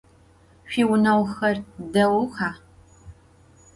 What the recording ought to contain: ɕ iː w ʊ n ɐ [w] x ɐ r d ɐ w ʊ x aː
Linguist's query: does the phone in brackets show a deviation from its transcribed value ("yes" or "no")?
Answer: no